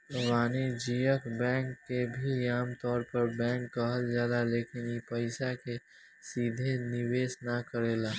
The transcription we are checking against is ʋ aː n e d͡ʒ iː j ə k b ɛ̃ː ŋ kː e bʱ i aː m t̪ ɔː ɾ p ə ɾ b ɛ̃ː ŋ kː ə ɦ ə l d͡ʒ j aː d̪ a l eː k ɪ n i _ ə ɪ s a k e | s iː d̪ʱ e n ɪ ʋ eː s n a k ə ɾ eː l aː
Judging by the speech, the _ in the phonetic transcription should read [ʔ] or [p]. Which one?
p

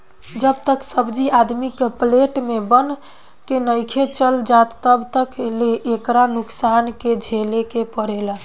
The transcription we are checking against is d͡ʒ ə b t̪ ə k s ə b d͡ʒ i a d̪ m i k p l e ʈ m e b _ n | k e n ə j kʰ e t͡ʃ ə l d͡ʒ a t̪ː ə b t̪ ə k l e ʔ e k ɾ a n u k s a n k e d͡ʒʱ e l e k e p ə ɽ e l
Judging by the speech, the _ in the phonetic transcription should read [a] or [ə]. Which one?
ə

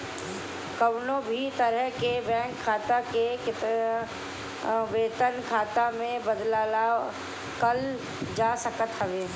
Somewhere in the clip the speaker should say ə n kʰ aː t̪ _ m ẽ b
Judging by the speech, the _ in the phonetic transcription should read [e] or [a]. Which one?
a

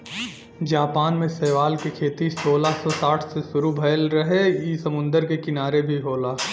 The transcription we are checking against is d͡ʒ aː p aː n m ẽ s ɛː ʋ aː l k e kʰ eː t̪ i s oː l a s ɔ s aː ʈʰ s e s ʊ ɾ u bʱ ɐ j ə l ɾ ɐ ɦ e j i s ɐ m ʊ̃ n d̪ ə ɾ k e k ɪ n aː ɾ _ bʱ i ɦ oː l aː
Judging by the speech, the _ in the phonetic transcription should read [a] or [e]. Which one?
e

